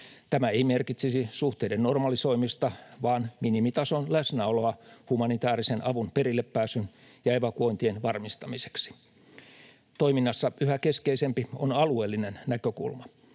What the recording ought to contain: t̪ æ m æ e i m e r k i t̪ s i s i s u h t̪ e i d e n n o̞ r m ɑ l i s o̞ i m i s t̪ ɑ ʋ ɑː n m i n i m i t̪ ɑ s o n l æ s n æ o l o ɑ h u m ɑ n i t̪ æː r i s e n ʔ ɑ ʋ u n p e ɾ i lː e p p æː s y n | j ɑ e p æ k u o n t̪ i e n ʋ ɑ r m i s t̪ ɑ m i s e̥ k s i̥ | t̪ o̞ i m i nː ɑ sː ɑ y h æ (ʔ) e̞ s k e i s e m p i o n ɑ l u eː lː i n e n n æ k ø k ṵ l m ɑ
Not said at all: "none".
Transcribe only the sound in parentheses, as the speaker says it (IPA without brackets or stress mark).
k